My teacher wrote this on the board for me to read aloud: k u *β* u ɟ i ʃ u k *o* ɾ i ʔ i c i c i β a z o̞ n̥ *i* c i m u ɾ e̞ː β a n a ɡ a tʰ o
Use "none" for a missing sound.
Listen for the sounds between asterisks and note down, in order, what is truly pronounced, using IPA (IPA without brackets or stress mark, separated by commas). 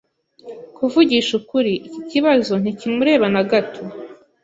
v, u, i